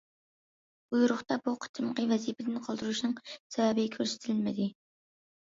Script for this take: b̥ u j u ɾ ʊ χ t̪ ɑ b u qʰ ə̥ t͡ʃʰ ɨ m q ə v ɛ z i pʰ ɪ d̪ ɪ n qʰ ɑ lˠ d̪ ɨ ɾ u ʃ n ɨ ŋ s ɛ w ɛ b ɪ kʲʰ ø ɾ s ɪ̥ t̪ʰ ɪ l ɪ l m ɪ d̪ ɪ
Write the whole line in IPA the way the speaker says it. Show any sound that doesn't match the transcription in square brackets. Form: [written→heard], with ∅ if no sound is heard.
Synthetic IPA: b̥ u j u ɾ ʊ χ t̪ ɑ b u qʰ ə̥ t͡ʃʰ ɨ m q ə v ɛ z i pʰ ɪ d̪ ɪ n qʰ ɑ lˠ d̪ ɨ ɾ u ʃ n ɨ ŋ s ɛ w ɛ b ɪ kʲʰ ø ɾ s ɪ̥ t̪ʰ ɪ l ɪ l m ɪ d̪ ɪ